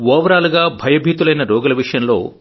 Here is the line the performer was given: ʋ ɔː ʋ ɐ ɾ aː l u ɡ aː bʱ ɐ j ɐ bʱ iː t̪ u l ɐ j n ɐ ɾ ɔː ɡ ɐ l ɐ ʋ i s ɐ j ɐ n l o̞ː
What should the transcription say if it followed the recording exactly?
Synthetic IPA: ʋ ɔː ʋ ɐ ɾ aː l u ɡ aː bʱ ɐ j ɐ bʱ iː t̪ u l ɐ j n ɐ ɾ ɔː ɡ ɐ l ɐ ʋ i ʂ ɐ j ɐ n l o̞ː